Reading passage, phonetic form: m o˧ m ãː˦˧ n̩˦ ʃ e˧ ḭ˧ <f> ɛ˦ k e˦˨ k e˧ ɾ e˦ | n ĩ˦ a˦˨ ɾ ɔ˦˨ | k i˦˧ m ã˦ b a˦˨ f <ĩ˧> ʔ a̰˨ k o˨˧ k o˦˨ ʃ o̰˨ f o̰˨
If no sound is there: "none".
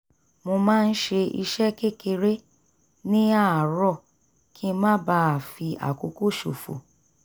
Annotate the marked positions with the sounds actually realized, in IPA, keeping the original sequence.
ʃ, i˧

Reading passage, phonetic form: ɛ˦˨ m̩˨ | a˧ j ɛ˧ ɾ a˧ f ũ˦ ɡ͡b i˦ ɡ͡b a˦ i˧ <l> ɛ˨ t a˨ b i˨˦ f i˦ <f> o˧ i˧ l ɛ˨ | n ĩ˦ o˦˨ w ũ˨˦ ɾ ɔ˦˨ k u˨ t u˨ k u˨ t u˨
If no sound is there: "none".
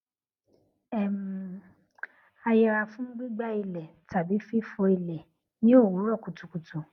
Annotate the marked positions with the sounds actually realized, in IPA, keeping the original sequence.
l, f

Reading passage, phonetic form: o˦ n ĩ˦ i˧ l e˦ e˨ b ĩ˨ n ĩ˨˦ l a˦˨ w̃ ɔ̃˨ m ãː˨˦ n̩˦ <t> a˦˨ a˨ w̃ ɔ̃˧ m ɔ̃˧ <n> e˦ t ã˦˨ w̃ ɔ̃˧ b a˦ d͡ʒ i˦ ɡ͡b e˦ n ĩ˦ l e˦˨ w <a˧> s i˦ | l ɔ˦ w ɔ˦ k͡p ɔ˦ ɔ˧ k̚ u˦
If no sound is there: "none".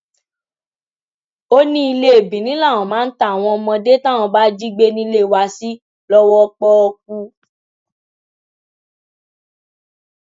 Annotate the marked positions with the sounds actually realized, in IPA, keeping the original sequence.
t, d, a˧

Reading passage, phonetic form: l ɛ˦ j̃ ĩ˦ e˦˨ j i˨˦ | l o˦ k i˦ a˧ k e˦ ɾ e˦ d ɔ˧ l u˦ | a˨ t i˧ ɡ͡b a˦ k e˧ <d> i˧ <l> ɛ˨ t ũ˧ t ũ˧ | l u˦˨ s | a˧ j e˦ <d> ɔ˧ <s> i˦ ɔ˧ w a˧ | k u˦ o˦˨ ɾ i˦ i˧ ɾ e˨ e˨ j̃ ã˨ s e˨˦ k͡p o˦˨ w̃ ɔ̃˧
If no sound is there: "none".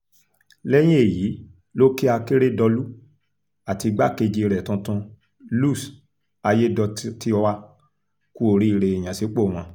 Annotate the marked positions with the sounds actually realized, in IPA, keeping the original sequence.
d͡ʒ, ɾ, d, t

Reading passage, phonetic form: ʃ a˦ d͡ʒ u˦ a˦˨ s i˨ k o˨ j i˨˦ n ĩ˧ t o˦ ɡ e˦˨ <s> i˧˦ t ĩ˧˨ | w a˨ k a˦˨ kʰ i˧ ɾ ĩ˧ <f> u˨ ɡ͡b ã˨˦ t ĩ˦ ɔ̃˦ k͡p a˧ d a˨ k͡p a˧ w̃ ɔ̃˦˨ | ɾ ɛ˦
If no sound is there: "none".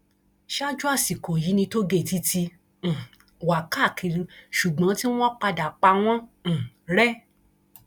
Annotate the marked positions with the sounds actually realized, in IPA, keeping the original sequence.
t, ʃ

